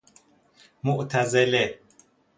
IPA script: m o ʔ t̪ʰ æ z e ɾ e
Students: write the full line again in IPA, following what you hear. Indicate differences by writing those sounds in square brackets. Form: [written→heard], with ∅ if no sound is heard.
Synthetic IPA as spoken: m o ʔ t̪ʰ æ z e [ɾ→l] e

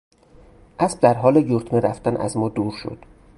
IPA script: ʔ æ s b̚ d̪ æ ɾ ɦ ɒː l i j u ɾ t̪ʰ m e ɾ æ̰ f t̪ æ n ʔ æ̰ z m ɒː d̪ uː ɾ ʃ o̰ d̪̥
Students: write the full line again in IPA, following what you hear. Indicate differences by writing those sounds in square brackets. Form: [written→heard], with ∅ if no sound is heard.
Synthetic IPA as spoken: ʔ æ s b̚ d̪ æ ɾ ɦ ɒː l [i→e] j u ɾ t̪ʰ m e ɾ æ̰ f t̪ æ n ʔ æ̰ z m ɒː d̪ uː ɾ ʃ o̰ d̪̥

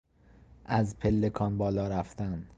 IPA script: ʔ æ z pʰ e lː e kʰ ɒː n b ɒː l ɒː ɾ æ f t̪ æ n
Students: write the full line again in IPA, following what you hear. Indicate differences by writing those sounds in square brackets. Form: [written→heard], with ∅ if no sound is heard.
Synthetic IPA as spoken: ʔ æ z pʰ e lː e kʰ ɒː n b ɒː l ɒː ɾ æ f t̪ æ n

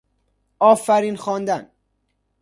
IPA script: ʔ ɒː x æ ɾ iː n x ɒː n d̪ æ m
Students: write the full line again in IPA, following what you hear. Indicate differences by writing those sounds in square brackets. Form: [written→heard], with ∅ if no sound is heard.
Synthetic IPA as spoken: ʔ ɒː [x→f] æ ɾ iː n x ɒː n d̪ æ [m→n]

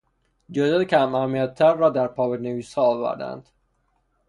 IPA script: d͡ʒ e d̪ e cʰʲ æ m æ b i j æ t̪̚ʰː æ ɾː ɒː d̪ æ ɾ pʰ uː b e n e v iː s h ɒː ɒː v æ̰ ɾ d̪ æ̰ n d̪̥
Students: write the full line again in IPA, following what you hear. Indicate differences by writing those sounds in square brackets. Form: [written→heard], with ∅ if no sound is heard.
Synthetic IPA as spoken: d͡ʒ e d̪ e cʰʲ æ m æ [b→m] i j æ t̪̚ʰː æ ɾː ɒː d̪ æ ɾ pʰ [uː→ɒː] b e n e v iː s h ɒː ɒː v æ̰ ɾ d̪ æ̰ n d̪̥

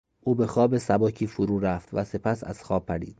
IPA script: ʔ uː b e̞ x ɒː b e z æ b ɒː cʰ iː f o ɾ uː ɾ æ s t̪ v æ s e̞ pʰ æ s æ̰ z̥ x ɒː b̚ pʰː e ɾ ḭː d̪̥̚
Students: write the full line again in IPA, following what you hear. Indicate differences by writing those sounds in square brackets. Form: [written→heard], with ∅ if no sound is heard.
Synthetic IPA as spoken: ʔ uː b e̞ x ɒː b e [z→s] æ b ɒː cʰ iː f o ɾ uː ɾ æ [s→f] t̪ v æ s e̞ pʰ æ s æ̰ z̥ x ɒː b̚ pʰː [e→æ] ɾ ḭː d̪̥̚

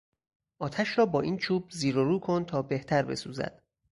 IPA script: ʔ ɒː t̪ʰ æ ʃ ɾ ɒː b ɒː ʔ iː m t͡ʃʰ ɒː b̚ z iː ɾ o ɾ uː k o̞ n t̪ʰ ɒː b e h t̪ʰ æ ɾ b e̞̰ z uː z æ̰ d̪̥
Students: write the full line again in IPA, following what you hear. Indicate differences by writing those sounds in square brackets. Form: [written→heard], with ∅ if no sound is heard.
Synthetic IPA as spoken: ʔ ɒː t̪ʰ æ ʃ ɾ ɒː b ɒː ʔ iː [m→n] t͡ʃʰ [ɒː→uː] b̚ z iː ɾ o ɾ uː [k→kʰ] o̞ n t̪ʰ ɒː b e h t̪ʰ æ ɾ b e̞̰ [z→s] uː z æ̰ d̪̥

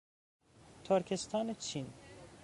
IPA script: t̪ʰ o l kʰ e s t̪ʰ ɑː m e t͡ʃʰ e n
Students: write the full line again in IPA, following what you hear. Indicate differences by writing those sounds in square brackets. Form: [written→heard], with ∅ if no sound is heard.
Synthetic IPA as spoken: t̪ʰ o [l→ɾ] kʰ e s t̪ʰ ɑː [m→n] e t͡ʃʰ [e→i] n

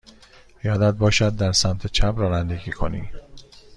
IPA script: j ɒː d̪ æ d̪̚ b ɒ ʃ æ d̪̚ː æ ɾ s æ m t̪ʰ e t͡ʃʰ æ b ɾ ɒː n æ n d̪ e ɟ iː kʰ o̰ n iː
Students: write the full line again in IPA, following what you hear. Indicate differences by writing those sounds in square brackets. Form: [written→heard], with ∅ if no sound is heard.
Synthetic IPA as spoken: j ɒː d̪ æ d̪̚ b [ɒ→ɒː] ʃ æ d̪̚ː æ ɾ s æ m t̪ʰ e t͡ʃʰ æ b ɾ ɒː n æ n d̪ e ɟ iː kʰ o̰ n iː

